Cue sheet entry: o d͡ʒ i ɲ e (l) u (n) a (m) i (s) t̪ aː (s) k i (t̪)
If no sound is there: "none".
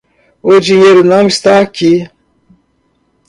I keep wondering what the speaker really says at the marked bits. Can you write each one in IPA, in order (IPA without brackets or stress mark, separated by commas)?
ɾ, n, m, s, none, none